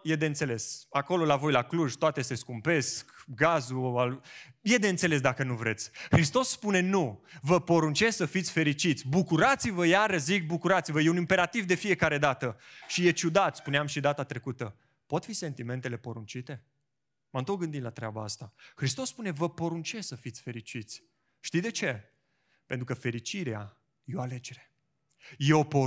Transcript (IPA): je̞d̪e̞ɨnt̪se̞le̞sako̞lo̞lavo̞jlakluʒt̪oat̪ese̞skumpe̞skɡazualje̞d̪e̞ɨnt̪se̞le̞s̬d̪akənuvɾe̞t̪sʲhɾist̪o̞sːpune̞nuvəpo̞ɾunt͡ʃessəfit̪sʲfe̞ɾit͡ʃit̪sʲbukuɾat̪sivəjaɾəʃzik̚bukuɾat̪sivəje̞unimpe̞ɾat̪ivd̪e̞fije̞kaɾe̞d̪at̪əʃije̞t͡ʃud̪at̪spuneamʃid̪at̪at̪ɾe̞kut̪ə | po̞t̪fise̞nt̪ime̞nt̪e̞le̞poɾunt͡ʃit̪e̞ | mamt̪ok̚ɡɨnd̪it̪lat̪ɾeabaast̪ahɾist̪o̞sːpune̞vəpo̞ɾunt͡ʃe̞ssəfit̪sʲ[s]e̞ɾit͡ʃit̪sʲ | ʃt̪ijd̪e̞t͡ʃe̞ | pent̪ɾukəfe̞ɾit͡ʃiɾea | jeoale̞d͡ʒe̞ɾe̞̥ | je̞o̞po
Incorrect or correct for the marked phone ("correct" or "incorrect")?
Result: incorrect